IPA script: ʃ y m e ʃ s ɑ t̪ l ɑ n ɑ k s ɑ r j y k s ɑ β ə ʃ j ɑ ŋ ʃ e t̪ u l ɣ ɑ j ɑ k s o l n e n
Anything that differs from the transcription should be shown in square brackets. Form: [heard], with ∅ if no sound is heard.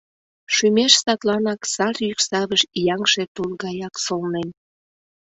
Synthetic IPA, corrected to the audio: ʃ y m e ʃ s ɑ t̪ l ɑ n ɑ k s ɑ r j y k s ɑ β ə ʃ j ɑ ŋ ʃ e t̪ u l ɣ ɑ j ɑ k s o l n e n